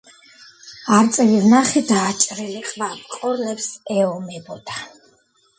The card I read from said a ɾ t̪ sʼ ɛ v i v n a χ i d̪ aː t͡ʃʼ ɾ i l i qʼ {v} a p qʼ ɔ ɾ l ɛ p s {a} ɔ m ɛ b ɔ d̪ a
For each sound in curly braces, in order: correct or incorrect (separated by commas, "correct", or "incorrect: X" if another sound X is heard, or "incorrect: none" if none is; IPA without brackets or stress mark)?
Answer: correct, incorrect: ɛ